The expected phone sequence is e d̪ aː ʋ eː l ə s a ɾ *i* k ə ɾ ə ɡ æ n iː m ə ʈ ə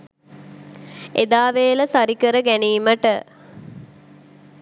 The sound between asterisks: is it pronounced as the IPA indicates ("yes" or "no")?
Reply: yes